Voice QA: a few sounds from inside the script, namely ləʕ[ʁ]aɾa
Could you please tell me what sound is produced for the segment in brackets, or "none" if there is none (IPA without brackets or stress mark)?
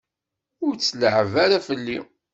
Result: v